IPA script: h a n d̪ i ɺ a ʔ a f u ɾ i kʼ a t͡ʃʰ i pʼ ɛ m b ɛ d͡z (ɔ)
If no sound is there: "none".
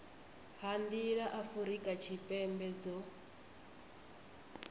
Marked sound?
ɔ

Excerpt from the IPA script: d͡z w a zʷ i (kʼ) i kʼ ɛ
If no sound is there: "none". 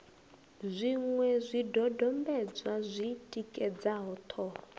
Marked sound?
tʼ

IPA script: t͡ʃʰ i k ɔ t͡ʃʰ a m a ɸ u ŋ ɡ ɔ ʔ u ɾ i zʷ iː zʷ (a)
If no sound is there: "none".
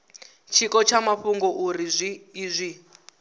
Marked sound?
i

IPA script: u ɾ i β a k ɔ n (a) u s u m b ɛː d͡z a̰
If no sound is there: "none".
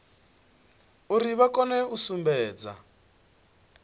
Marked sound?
ɛ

